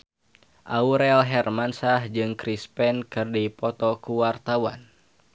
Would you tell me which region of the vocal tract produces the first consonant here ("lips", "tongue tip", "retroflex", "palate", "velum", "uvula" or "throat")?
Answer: throat